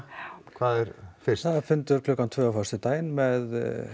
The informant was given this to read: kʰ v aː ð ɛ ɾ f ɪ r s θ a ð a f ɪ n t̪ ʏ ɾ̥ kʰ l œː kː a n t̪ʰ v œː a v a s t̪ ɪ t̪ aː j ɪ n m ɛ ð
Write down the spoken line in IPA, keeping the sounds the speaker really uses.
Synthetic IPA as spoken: kʰ v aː ð ɛ ɾ f ɪ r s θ a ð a f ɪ n t̪ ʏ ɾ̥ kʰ l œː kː a n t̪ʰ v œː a f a s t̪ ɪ t̪ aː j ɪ n m ɛ ð